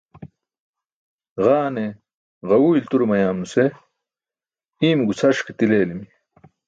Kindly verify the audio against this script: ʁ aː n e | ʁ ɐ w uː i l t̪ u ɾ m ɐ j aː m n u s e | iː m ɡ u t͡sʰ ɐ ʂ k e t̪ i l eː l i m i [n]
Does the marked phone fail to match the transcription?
yes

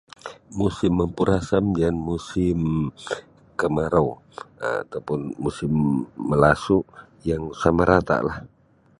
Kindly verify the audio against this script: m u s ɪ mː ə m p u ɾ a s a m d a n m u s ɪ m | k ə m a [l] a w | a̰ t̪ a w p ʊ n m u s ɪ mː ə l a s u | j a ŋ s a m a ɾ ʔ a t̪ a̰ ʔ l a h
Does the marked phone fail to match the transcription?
yes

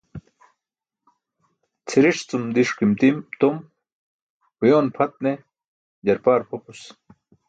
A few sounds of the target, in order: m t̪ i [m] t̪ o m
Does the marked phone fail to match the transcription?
no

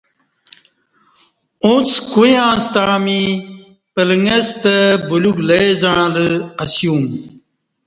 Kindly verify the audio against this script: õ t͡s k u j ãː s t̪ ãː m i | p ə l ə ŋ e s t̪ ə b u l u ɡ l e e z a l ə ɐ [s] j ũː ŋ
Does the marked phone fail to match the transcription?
no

